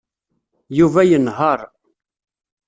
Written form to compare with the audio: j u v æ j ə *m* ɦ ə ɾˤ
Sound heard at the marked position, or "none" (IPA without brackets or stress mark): n